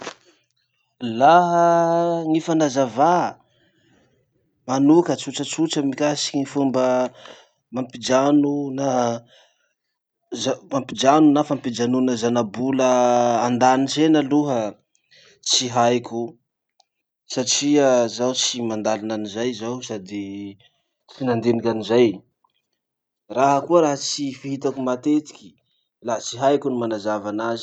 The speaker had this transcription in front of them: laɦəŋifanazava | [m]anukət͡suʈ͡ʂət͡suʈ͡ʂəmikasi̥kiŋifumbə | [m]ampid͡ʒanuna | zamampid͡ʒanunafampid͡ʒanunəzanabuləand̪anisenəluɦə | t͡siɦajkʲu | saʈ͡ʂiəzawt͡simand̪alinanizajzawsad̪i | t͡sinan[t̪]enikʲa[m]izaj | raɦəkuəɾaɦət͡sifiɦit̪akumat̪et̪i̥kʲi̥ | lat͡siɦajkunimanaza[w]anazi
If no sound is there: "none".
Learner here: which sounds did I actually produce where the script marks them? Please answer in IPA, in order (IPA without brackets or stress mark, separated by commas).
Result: m, m, d̪, n, v